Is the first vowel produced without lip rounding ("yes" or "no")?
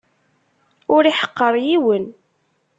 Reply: no